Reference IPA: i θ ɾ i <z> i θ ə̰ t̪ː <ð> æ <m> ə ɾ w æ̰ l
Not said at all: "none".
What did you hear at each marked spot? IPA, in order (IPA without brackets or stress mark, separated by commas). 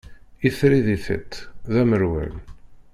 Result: ð, ð, m